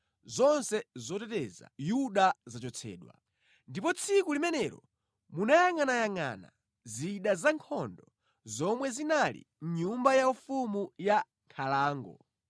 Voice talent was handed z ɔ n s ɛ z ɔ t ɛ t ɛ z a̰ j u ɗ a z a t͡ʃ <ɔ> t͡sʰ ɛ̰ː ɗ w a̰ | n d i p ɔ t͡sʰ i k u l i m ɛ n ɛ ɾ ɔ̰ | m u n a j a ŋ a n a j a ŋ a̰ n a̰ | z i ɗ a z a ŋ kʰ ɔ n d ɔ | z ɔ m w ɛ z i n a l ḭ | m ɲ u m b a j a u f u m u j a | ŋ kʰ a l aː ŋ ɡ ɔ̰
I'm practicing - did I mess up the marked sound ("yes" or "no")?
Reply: no